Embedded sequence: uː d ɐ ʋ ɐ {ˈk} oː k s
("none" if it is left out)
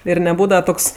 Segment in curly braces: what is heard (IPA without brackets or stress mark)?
t